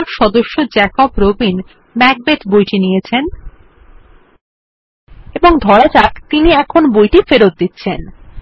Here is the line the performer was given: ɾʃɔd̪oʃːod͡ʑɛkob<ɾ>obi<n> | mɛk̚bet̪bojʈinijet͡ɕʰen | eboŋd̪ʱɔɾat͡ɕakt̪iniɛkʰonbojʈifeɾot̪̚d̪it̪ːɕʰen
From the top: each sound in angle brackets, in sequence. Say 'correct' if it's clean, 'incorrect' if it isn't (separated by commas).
correct, correct